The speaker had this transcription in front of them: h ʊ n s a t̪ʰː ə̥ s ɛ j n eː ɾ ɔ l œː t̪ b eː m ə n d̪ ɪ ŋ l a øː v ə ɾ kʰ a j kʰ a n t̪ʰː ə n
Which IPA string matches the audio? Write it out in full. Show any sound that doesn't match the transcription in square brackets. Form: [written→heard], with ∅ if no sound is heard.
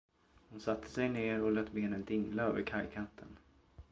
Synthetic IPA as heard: h ʊ n s a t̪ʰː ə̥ s ɛ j n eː ɾ ɔ l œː t̪ b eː [m→n] ə n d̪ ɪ ŋ l a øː v ə ɾ kʰ a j kʰ a n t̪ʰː ə n